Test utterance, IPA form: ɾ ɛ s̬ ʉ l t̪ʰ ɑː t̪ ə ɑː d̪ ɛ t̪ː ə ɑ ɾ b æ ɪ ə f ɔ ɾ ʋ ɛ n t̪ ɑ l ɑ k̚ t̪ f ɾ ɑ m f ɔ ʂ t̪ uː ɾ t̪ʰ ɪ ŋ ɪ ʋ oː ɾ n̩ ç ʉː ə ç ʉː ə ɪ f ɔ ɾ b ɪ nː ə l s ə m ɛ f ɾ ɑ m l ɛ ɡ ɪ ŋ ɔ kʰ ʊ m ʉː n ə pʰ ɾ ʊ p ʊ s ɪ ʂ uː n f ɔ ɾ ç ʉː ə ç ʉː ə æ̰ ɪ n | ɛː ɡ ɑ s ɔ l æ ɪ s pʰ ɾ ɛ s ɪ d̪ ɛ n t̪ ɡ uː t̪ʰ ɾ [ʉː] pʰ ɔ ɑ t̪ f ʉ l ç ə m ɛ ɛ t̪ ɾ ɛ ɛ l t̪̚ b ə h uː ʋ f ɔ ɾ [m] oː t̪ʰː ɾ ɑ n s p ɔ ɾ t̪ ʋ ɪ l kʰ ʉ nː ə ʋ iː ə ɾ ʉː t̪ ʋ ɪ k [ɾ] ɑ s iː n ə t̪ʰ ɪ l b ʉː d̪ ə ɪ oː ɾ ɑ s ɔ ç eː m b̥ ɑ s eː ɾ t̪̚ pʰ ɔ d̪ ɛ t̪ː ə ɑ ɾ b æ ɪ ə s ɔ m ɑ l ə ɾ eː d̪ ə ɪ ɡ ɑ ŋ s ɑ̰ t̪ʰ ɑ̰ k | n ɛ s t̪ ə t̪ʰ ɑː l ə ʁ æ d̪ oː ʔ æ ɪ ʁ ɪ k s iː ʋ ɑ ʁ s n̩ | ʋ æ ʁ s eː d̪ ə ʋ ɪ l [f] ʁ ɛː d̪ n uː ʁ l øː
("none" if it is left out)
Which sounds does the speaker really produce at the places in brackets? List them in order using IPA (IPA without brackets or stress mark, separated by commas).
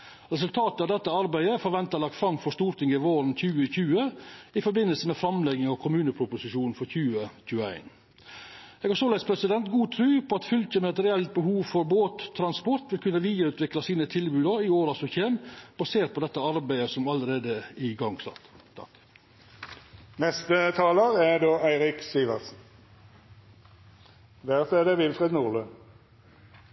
ʉː, b, l, f